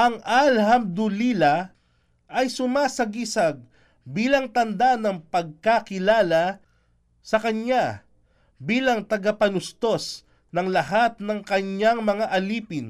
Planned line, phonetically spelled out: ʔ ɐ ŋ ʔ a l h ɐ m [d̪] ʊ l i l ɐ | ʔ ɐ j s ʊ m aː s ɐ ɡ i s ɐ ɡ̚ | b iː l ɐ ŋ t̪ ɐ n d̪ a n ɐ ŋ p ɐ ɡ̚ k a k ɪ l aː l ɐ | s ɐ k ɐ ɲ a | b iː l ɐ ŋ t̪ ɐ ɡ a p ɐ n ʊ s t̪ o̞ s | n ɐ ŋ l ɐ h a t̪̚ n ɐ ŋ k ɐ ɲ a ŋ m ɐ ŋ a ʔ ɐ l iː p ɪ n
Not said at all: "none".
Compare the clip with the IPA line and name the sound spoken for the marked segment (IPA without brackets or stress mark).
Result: d̪